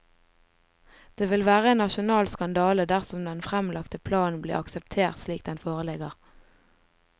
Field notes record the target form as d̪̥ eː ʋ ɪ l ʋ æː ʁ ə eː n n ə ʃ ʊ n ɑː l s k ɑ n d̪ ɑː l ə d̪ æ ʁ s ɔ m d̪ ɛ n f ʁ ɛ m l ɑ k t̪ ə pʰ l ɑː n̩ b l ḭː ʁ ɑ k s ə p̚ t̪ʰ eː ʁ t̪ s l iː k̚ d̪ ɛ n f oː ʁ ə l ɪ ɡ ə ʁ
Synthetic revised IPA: d̪̥ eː ʋ ɪ l ʋ æː ʁ ə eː n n ɑ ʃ ʊ n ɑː l s k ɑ n d̪ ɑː l ə d̪ æ ʁ s ɔ m d̪ ɛ n f ʁ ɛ m l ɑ k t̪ ə pʰ l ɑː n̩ b l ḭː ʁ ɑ k s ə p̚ t̪ʰ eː ʁ t̪ s l iː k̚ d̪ ɛ n f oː ʁ ə l ɪ ɡ ə ʁ